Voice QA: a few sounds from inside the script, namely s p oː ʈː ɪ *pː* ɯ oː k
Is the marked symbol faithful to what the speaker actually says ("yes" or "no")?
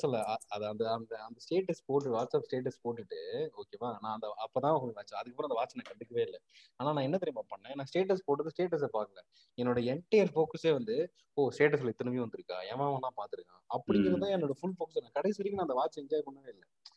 no